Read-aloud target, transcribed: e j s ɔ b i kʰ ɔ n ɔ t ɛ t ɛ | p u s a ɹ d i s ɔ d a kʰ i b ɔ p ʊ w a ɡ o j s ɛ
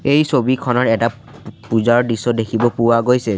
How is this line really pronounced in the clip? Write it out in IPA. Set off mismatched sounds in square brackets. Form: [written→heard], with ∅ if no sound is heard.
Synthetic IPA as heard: e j s [ɔ→o] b i kʰ ɔ n ɔ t ɛ t [ɛ→a] | p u [s→z] a ɹ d i s ɔ d [a→e] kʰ i b ɔ p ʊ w a ɡ o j s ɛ